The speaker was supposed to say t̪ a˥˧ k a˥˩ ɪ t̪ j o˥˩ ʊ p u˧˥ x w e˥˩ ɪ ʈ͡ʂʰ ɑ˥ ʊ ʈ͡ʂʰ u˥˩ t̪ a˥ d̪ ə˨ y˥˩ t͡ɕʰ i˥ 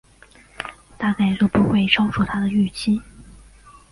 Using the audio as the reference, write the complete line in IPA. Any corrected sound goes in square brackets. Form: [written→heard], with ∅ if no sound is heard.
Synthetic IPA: t̪ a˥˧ k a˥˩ ɪ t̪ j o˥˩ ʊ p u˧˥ x w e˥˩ ɪ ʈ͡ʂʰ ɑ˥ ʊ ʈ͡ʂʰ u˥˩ [t̪→t̪ʰ] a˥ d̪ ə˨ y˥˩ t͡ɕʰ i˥

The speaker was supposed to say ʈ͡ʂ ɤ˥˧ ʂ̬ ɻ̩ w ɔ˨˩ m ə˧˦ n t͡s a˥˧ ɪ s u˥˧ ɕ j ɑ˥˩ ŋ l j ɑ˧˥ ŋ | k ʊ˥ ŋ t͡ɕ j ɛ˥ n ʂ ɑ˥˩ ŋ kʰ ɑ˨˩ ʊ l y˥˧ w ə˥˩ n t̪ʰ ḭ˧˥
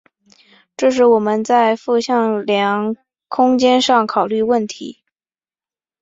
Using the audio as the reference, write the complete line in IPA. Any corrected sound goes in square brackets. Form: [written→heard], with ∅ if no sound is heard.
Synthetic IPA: ʈ͡ʂ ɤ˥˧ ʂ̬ ɻ̩ w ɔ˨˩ m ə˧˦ n t͡s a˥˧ ɪ [s→f] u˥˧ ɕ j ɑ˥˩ ŋ l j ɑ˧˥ ŋ | [k→kʰ] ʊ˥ ŋ t͡ɕ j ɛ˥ n ʂ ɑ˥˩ ŋ kʰ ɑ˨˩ ʊ l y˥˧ w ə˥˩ n t̪ʰ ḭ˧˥

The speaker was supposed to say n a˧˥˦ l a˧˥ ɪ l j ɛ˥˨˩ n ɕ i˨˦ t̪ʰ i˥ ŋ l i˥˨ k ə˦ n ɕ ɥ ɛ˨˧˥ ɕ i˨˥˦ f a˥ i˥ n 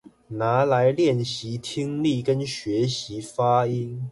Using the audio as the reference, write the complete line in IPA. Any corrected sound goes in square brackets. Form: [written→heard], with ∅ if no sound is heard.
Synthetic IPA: n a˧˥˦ l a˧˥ ɪ l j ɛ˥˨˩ n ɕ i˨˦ t̪ʰ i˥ ŋ l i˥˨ k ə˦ n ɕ ɥ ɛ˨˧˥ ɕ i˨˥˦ f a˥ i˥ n

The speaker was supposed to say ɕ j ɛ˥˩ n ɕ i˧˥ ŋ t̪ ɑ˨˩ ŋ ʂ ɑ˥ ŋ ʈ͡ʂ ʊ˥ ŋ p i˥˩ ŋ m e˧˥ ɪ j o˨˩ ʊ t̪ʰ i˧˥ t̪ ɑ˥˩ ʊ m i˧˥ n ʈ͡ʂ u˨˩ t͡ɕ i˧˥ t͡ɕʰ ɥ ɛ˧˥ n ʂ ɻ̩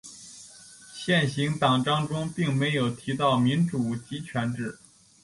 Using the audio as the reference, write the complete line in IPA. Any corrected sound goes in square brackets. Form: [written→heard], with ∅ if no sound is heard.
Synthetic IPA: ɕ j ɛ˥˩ n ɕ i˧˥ ŋ t̪ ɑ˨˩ ŋ [ʂ→ʈ͡ʂ] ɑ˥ ŋ ʈ͡ʂ ʊ˥ ŋ p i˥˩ ŋ m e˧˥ ɪ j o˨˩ ʊ t̪ʰ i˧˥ t̪ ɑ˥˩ ʊ m i˧˥ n ʈ͡ʂ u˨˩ t͡ɕ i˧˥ t͡ɕʰ ɥ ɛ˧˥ n [ʂ→ʈ͡ʂ] ɻ̩

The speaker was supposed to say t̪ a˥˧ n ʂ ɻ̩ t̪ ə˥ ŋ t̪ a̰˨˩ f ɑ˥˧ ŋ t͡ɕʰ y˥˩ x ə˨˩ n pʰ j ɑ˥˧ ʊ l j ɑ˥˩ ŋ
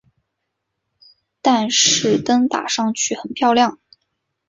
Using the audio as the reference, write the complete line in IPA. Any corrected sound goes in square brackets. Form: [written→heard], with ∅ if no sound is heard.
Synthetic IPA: t̪ a˥˧ n ʂ ɻ̩ t̪ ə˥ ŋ t̪ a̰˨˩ [f→ʂ] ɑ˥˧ ŋ t͡ɕʰ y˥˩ x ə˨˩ n pʰ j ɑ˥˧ ʊ l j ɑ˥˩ ŋ

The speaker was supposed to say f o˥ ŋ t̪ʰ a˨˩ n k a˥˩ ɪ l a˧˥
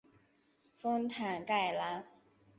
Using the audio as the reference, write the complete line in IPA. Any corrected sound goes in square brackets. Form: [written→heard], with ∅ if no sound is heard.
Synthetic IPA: f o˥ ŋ t̪ʰ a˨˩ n k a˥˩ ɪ l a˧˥

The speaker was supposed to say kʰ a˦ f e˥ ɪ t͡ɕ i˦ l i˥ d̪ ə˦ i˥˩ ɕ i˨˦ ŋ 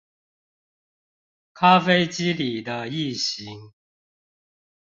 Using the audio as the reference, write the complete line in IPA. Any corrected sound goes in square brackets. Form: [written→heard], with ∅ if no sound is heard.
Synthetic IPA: kʰ a˦ f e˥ ɪ t͡ɕ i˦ l [i˥→i˨˩] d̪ ə˦ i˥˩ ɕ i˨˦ ŋ

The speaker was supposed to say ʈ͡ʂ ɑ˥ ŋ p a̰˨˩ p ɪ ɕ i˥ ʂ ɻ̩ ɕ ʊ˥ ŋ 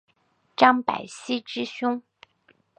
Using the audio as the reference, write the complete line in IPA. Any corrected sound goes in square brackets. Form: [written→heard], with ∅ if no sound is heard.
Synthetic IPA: ʈ͡ʂ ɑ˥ ŋ p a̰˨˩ [p→∅] ɪ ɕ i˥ [ʂ→ʈ͡ʂ] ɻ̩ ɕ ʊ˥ ŋ

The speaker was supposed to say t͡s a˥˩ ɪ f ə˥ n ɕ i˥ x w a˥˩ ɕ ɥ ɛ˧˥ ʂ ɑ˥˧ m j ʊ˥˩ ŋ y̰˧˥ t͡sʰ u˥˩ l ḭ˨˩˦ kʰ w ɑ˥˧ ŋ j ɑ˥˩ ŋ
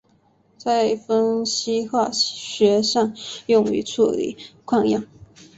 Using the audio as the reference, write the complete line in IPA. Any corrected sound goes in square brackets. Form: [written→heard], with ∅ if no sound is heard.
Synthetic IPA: t͡s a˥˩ ɪ f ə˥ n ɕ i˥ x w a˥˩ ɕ ɥ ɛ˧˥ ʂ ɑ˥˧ [m→ŋ] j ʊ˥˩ ŋ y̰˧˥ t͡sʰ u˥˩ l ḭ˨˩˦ kʰ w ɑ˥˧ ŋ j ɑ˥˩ ŋ

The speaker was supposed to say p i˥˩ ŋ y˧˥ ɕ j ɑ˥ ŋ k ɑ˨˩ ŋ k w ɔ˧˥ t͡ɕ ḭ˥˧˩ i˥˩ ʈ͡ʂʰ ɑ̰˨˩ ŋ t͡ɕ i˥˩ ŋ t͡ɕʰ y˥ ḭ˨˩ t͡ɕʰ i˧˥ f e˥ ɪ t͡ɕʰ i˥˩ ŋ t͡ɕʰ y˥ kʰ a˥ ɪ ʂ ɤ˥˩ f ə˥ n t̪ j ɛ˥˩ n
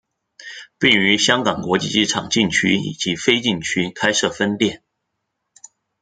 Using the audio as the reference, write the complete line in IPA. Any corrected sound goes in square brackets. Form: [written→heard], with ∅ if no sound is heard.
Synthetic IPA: p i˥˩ ŋ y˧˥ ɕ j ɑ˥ ŋ k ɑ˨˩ ŋ k w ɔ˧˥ t͡ɕ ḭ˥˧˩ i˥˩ ʈ͡ʂʰ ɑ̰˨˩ ŋ t͡ɕ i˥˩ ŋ t͡ɕʰ y˥ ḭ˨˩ [t͡ɕʰ→t͡ɕ] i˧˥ f e˥ ɪ [t͡ɕʰ→t͡ɕ] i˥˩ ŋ t͡ɕʰ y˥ kʰ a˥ ɪ ʂ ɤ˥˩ f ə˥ n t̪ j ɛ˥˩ n

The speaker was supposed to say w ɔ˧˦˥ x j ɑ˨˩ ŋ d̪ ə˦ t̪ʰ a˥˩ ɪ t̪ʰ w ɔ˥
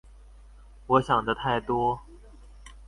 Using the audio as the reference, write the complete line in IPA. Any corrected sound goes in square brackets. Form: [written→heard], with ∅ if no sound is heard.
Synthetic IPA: w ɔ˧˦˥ [x→ɕ] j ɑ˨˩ ŋ d̪ ə˦ t̪ʰ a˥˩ ɪ [t̪ʰ→t̪] w ɔ˥

